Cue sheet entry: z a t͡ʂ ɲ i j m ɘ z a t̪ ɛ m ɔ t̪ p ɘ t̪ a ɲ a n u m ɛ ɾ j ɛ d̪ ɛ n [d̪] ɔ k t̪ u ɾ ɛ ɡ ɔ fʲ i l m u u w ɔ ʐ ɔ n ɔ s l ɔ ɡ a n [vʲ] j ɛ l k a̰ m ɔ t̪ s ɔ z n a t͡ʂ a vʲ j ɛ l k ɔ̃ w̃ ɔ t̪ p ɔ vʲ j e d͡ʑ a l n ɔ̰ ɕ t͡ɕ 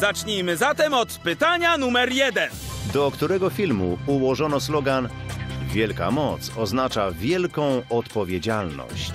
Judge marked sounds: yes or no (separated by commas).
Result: yes, yes